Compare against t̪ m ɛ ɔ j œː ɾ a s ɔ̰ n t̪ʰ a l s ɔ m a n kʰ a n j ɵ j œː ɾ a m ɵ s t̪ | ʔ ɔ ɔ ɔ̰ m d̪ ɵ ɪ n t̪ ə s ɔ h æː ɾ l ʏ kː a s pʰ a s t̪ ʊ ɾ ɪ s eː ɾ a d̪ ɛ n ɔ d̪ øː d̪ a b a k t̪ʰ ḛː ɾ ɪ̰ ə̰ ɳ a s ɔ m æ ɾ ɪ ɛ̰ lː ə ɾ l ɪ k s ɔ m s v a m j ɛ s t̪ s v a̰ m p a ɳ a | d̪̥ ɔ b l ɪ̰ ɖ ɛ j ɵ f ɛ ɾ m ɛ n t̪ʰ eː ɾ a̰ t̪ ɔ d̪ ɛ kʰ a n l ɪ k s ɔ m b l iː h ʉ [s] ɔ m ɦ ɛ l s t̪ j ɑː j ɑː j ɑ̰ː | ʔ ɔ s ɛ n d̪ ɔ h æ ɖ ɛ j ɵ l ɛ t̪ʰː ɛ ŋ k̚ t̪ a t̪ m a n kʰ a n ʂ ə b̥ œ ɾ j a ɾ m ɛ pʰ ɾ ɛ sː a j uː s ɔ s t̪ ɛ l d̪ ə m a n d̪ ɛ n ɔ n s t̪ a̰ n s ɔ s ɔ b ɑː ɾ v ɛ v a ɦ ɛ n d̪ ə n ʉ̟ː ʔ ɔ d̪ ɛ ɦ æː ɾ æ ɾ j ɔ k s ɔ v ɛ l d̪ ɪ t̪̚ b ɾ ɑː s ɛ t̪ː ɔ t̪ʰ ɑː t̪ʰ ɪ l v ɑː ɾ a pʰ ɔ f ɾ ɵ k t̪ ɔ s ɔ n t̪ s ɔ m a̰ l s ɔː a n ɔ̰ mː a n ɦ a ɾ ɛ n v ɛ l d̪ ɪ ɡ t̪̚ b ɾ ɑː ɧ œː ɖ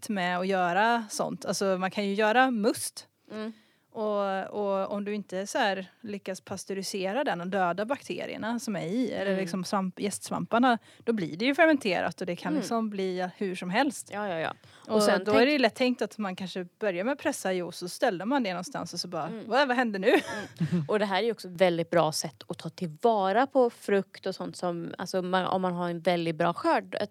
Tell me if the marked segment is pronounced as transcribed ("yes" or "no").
no